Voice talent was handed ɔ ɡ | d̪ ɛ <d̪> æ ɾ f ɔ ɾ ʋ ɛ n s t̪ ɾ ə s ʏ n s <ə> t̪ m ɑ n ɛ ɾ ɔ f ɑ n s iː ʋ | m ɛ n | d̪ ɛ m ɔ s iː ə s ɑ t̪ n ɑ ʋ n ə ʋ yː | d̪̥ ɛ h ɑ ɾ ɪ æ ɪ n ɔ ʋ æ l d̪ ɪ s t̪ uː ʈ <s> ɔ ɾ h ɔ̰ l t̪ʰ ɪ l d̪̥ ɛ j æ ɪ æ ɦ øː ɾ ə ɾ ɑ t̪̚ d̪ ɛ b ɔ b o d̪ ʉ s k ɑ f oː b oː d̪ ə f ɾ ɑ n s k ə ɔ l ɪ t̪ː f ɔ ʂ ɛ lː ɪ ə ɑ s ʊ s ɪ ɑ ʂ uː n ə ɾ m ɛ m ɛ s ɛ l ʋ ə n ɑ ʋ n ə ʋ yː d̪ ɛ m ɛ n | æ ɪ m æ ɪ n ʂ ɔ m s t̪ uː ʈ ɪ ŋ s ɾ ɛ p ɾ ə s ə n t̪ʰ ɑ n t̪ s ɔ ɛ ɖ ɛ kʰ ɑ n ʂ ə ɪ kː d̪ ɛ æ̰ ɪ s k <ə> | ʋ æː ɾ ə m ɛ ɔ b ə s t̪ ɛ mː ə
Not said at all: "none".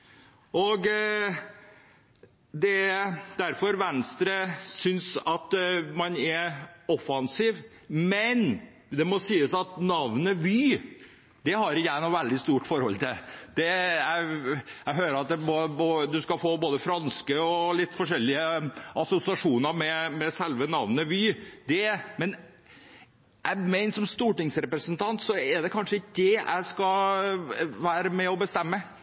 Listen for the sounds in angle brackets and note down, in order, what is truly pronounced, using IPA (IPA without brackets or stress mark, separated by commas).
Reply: d̪, ɑ, f, ɑ